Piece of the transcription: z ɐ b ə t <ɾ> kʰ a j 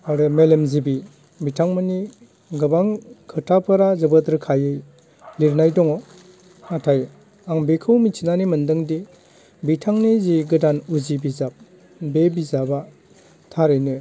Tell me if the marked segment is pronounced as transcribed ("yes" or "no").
yes